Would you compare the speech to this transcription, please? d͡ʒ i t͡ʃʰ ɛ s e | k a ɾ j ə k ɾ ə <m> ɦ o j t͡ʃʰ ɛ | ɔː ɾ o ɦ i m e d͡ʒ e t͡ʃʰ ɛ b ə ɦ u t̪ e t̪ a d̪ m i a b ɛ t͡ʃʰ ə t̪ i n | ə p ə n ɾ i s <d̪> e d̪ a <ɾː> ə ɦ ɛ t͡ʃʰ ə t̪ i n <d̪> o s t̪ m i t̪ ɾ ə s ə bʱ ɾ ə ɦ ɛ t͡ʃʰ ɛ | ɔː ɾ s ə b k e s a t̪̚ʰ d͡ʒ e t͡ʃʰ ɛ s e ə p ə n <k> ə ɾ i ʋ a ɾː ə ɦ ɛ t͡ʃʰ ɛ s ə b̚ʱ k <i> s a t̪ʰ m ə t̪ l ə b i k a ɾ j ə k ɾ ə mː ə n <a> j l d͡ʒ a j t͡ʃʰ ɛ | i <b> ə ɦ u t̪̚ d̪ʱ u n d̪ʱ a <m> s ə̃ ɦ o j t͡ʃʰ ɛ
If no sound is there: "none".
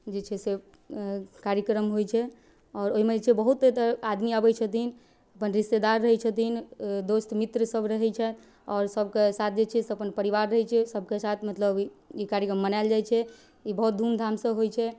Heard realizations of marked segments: m, t̪, ɾː, d̪, p, e, a, b, m

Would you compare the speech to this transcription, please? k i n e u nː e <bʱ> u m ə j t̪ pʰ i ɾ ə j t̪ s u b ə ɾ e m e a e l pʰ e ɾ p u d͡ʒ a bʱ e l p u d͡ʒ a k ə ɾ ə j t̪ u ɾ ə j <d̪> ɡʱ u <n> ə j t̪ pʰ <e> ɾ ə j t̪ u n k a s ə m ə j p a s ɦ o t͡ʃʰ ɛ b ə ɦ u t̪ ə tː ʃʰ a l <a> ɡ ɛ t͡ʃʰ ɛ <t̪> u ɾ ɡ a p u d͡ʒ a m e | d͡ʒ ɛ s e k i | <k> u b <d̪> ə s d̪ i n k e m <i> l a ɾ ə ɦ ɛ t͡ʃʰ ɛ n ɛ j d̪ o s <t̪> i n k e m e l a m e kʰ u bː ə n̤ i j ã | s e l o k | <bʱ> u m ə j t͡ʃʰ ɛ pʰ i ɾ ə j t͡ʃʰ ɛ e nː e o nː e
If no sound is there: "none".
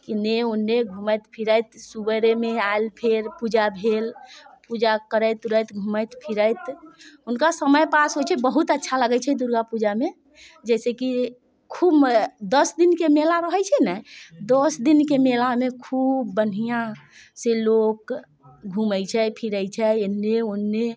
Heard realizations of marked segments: ɡʱ, t̪, m, i, ə, d̪, kʰ, d̪, e, d̪, ɡʱ

